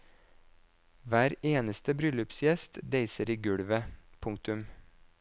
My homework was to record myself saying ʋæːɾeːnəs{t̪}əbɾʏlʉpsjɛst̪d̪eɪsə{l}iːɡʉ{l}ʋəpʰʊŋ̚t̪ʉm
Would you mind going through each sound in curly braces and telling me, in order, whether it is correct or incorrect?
correct, incorrect: ɾ, incorrect: ɽ

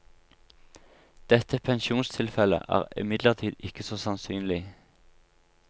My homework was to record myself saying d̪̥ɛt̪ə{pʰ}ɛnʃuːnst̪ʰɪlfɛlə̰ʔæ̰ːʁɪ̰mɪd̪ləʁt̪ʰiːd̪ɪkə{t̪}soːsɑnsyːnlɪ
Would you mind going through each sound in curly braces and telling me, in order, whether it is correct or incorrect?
correct, incorrect: none

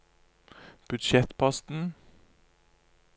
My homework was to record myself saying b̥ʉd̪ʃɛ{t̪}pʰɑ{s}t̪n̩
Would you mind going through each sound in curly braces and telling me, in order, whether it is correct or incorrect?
correct, correct

